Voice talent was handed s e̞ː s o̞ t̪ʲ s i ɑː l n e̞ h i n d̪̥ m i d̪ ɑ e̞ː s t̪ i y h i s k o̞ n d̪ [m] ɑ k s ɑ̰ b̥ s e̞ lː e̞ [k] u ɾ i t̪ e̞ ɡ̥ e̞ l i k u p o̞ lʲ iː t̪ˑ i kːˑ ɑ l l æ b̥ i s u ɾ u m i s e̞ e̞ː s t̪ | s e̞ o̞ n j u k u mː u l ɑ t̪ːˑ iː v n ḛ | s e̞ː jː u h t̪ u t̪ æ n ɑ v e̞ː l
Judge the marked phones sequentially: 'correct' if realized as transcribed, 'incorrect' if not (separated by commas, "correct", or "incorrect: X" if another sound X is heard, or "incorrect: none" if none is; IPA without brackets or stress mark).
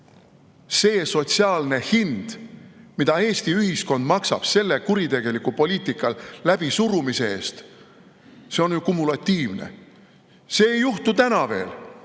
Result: correct, correct